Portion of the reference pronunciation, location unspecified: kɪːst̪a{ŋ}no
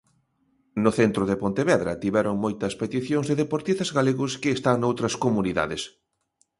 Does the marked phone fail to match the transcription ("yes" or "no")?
no